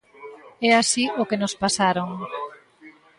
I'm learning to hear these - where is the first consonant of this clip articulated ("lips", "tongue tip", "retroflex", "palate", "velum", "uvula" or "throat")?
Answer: tongue tip